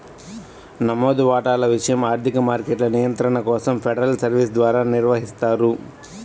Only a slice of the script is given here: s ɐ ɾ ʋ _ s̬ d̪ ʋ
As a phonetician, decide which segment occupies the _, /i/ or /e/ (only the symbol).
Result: i